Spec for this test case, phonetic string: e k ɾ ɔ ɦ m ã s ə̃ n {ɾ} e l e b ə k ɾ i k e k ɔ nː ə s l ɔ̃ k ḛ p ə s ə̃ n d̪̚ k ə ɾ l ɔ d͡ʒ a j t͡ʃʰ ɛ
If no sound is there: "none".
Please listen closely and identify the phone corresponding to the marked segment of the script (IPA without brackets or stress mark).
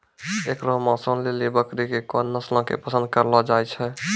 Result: l